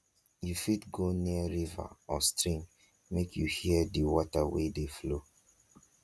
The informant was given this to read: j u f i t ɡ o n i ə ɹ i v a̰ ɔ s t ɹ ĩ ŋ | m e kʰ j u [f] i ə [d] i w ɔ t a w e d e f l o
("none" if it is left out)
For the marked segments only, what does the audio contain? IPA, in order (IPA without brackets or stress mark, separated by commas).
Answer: h, d